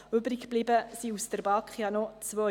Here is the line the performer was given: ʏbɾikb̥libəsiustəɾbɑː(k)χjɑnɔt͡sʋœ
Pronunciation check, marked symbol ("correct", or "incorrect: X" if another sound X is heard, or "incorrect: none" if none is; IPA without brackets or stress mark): correct